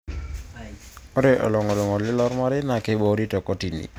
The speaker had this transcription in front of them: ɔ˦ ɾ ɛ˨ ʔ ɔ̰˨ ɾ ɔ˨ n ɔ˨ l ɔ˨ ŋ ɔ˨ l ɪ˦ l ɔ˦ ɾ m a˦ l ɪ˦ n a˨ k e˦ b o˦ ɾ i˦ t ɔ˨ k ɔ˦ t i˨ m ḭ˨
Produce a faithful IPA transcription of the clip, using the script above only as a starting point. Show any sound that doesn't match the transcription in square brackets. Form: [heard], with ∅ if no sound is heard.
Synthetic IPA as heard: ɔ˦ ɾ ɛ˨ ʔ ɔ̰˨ [l] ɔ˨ [ŋ] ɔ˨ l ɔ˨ ŋ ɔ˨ l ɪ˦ l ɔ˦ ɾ m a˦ [ɾ] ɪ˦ n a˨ k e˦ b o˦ ɾ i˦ t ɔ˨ k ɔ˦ t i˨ [n] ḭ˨